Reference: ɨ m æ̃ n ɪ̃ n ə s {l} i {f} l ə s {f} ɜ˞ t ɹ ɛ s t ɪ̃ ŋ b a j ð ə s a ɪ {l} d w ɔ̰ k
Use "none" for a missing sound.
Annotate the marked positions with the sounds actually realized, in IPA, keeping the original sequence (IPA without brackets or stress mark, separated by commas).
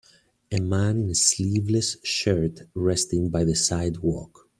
l, v, ʃ, none